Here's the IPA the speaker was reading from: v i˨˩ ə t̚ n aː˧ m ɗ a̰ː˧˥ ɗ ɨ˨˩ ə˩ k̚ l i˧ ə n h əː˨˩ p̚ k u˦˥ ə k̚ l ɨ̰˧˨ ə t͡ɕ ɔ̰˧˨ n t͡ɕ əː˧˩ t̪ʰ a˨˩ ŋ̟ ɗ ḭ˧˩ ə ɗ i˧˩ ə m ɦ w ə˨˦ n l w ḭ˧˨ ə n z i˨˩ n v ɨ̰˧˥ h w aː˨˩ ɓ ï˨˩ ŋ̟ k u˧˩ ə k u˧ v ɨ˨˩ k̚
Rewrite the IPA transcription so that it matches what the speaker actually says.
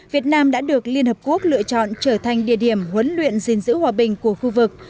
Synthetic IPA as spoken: v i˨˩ ə t̚ n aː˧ m ɗ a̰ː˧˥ ɗ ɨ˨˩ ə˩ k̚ l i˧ ə n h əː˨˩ p̚ k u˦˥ ə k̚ l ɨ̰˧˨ ə t͡ɕ ɔ̰˧˨ n t͡ɕ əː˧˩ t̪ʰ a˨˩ ŋ̟ ɗ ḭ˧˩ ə ɗ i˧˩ ə m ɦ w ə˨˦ n l w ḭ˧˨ ə n z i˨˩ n z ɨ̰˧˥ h w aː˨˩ ɓ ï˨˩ ŋ̟ k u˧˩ ə x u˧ v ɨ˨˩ k̚